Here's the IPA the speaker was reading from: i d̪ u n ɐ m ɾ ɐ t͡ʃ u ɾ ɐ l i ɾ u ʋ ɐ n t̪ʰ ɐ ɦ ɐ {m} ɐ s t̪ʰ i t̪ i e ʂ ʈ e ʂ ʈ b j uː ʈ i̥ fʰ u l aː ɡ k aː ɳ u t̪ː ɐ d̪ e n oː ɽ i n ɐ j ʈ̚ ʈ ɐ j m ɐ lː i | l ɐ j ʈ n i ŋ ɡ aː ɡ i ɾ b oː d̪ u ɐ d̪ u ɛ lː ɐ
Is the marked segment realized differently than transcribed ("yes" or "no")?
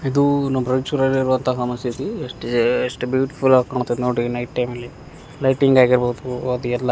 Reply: no